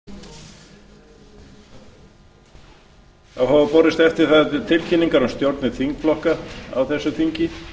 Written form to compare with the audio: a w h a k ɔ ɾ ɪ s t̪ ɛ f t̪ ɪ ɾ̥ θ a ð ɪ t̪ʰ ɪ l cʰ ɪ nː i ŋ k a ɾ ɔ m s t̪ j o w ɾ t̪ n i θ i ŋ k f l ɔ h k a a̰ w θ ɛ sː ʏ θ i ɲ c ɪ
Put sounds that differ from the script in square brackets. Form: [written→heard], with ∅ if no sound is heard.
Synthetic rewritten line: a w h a [k→p] ɔ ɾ ɪ s t̪ ɛ f t̪ ɪ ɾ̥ θ a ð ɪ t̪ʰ ɪ l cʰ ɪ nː i ŋ k a ɾ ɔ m s t̪ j o w ɾ t̪ n [i→ɪ] θ i ŋ k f l ɔ h k a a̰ w θ ɛ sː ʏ θ i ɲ c ɪ

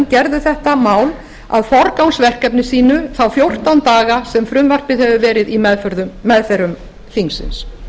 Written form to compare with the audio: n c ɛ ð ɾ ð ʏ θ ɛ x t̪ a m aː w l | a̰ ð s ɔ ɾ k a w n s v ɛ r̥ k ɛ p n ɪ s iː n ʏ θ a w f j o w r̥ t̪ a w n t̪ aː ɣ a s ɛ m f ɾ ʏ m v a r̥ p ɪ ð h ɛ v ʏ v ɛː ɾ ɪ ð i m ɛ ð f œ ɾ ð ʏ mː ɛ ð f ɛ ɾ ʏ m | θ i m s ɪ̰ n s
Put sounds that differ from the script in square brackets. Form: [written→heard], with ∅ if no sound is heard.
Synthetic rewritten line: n c ɛ [ð→∅] ɾ ð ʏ θ ɛ [x→h] t̪ a m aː w l | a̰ ð [s→f] ɔ ɾ k a w n s v ɛ r̥ k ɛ p n ɪ s iː n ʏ θ a w f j o w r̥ t̪ a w n t̪ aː ɣ a s ɛ m f ɾ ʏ m v a r̥ p ɪ ð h ɛ v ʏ v ɛː ɾ ɪ ð i m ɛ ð f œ ɾ ð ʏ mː ɛ ð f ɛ ɾ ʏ m | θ i [m→ŋ] s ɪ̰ n s

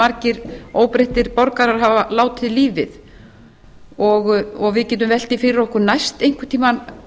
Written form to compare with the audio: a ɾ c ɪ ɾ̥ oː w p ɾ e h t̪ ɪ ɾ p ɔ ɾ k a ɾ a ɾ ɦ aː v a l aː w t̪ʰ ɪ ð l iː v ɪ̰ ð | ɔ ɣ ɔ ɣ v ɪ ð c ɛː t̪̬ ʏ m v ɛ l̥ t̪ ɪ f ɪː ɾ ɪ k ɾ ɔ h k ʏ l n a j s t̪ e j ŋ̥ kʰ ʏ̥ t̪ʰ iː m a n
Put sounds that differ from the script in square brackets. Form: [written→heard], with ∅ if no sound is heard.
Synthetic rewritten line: a ɾ c ɪ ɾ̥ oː w p ɾ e h t̪ ɪ ɾ p ɔ ɾ k a ɾ a ɾ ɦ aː v a l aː w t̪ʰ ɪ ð l iː v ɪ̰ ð | ɔ ɣ ɔ ɣ v ɪ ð c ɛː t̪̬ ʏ m v ɛ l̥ t̪ ɪ f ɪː ɾ ɪ [k→∅] ɾ ɔ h k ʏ [l→ɾ] n a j s t̪ e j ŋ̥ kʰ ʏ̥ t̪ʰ iː m a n

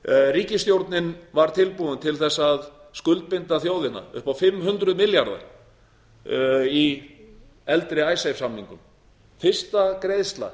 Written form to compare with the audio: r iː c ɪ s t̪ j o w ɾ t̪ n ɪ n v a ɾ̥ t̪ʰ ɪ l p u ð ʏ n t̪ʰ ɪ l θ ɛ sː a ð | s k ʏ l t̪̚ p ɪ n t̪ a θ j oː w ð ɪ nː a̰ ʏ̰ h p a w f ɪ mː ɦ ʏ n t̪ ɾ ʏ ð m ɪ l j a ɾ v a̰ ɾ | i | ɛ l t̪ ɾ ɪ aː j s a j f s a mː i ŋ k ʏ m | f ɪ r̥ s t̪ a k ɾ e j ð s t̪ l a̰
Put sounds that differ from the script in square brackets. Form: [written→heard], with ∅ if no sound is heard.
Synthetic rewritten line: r iː c ɪ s t̪ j o w ɾ t̪ n ɪ n v a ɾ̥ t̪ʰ ɪ l p u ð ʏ n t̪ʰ ɪ l θ ɛ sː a ð | s k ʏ l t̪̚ p ɪ n t̪ a θ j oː w ð ɪ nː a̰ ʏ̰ h p a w f ɪ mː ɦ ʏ n t̪ ɾ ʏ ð m ɪ l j a ɾ [v→ð] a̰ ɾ | i | ɛ l t̪ ɾ ɪ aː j s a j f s a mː i ŋ k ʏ m | f ɪ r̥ s t̪ a k ɾ e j ð s t̪ l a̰

